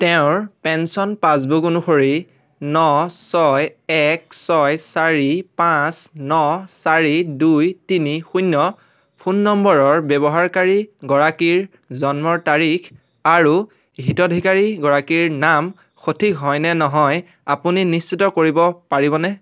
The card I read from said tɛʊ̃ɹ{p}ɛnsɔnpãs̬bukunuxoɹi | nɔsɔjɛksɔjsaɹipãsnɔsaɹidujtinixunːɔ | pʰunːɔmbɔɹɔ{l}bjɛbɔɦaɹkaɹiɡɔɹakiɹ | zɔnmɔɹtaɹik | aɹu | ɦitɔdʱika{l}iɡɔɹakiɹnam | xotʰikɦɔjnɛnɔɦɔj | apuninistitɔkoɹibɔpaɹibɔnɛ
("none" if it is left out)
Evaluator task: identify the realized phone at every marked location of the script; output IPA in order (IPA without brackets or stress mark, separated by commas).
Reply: p, ɹ, ɹ